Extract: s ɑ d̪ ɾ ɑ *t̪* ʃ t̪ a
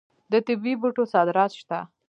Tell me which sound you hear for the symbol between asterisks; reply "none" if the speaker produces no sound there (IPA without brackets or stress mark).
t̪